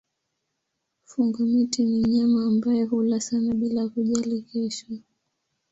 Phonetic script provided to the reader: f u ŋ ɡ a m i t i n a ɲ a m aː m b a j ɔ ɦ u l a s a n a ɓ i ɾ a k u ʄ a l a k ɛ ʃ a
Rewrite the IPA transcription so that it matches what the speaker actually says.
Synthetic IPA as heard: f u ŋ ɡ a m i t i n i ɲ a m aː m b a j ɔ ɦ u l a s a n a ɓ i l a k u ʄ a l i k ɛ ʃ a